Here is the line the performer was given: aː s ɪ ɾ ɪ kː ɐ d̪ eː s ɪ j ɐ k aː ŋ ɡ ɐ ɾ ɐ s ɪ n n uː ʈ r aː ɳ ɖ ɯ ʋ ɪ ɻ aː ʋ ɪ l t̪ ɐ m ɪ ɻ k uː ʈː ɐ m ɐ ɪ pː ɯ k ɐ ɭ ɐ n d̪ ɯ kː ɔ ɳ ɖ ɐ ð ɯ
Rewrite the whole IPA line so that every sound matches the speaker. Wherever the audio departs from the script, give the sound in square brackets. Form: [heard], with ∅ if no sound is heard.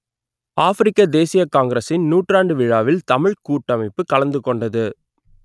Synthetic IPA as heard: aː [f] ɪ ɾ ɪ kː ɐ d̪ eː s ɪ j ɐ k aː ŋ ɡ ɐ ɾ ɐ s ɪ n n uː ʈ r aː ɳ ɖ ɯ ʋ ɪ ɻ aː ʋ ɪ l t̪ ɐ m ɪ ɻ k uː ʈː ɐ m ɐ ɪ pː ɯ k ɐ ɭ ɐ n d̪ ɯ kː ɔ ɳ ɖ ɐ ð ɯ